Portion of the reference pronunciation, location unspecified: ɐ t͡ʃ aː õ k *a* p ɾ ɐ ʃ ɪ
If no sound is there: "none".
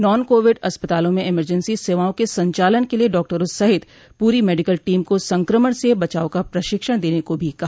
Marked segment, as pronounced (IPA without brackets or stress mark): a